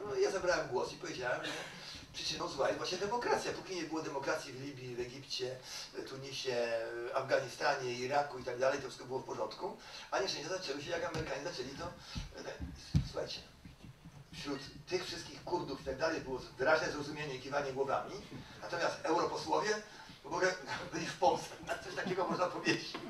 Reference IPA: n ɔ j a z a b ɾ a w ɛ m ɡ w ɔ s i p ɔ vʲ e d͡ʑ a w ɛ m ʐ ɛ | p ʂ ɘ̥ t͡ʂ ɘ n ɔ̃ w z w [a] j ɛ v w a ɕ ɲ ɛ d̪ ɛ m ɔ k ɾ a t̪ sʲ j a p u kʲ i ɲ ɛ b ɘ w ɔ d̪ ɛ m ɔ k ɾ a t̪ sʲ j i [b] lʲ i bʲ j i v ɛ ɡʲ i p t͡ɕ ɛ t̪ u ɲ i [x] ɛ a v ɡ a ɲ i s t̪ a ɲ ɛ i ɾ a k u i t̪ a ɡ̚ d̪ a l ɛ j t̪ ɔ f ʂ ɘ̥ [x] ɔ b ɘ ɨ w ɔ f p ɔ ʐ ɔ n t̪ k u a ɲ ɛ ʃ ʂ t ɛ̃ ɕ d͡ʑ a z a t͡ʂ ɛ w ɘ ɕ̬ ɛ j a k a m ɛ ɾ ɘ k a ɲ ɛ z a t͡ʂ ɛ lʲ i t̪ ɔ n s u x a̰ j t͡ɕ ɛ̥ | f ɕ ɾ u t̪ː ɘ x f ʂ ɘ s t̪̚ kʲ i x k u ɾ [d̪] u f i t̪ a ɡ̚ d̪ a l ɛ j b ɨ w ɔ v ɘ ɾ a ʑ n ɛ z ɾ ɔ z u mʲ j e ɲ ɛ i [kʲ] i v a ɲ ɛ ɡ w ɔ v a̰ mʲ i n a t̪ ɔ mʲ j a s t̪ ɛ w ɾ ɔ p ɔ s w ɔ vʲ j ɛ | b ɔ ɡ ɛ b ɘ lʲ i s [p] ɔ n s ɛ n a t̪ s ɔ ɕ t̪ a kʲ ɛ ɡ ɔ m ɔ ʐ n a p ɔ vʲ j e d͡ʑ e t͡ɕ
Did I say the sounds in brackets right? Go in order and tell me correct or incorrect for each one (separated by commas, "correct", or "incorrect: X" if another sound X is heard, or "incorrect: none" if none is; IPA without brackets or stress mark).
correct, incorrect: v, incorrect: ɕ, incorrect: k, correct, correct, correct